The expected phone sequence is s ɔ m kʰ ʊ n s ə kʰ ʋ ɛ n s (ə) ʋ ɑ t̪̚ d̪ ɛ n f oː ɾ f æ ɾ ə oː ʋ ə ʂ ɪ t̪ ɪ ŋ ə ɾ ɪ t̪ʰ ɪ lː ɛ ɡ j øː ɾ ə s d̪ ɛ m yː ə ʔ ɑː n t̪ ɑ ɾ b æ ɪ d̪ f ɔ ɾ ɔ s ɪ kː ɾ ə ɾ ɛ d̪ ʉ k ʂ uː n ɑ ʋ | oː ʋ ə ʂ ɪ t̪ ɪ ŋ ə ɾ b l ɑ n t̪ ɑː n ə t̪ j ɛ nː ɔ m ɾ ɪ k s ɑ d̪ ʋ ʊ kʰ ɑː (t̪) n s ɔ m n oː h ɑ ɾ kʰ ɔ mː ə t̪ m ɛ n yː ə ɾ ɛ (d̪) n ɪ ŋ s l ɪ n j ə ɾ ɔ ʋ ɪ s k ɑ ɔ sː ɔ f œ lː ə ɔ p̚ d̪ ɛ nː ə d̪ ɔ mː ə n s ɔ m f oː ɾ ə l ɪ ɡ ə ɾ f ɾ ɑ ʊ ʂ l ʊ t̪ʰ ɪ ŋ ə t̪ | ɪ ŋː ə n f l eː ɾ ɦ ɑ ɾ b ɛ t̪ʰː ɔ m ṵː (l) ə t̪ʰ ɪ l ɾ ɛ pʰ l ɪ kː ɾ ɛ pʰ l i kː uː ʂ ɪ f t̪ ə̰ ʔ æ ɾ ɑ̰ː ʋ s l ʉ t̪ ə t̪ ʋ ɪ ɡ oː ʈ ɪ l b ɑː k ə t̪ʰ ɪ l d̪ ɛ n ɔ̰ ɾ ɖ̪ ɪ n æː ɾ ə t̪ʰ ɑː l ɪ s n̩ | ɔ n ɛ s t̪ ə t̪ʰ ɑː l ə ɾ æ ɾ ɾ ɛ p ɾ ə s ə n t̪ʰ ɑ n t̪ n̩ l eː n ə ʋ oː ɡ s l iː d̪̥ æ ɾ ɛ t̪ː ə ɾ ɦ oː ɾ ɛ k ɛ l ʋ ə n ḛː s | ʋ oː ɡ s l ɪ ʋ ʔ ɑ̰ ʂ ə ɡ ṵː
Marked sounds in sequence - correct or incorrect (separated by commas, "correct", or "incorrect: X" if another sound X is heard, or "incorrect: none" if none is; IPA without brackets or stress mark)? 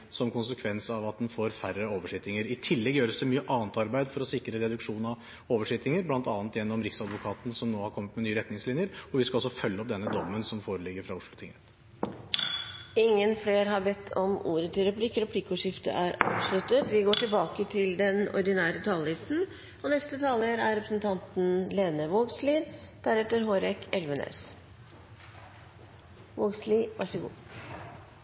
incorrect: ɑ, correct, incorrect: t̪, incorrect: ɾ